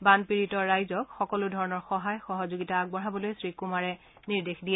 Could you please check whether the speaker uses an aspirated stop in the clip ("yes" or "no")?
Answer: no